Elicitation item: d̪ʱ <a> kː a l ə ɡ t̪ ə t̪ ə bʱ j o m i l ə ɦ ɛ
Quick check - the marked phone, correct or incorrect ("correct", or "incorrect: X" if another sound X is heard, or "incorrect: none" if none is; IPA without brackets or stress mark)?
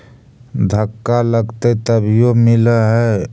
incorrect: ə